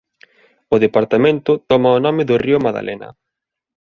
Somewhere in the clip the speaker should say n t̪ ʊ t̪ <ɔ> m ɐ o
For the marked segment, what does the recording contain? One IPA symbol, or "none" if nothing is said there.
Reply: ɔ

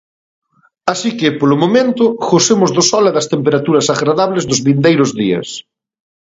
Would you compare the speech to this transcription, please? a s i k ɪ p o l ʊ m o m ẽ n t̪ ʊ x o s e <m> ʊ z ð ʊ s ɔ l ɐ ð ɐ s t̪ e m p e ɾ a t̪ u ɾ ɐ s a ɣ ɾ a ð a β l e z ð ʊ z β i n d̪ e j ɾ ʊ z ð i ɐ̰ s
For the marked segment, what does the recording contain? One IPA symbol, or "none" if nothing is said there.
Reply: m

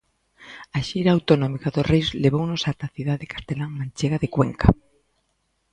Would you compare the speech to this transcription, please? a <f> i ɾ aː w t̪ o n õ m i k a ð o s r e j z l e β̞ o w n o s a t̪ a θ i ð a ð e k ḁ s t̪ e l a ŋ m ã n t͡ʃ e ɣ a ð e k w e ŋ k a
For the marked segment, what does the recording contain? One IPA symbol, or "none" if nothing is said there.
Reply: ʃ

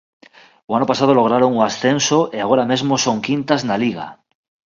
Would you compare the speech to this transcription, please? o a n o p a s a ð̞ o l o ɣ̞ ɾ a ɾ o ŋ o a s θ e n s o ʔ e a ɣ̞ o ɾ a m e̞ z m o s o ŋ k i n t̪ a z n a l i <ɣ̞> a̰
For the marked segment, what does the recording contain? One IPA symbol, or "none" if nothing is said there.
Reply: ɣ̞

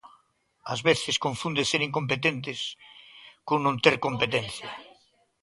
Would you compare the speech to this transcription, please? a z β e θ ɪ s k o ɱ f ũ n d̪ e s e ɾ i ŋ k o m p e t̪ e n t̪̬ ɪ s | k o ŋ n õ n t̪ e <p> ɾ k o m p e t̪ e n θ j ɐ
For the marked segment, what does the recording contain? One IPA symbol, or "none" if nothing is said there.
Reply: none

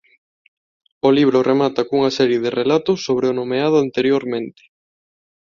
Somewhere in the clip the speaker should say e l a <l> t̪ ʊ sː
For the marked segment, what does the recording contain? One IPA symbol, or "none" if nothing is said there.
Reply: none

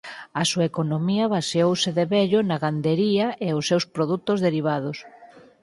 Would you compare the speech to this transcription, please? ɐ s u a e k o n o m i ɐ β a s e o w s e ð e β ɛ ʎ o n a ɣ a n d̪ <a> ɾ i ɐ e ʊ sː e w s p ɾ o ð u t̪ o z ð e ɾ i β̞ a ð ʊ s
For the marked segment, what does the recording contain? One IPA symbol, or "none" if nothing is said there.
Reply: e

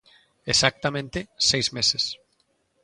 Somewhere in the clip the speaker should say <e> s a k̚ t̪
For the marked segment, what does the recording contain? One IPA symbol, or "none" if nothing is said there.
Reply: e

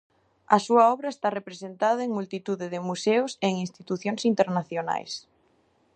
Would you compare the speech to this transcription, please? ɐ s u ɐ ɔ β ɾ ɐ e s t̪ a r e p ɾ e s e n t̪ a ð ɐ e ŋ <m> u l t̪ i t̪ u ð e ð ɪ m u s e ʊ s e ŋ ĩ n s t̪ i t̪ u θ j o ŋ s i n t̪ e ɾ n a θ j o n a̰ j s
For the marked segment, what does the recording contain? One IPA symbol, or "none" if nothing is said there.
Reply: m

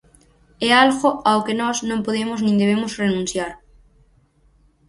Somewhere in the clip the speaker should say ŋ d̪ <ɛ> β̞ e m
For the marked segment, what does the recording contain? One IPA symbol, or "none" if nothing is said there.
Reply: e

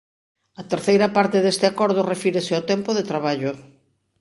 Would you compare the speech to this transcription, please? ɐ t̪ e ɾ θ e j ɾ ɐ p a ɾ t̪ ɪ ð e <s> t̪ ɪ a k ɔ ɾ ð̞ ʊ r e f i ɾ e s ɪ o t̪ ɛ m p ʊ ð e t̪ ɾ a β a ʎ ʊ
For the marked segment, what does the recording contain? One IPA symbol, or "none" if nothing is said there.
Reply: s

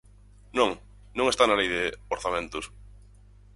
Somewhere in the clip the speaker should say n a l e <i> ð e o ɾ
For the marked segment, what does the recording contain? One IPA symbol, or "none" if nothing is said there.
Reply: j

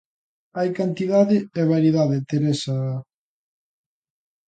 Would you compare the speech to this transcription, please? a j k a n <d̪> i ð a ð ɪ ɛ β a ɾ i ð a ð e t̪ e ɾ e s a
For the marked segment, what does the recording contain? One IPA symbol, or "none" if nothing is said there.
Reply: t̪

